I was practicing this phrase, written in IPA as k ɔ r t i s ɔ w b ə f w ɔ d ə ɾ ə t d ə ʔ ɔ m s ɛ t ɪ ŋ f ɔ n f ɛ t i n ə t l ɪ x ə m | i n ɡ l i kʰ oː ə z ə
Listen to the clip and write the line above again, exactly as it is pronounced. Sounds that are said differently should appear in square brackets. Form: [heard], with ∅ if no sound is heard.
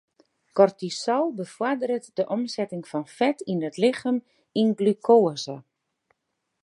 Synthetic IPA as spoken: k ɔ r t i s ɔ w b ə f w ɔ d ə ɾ ə t d ə ʔ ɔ m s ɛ t ɪ ŋ f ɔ n f ɛ t i n ə t l ɪ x ə m | i n ɡ l [y] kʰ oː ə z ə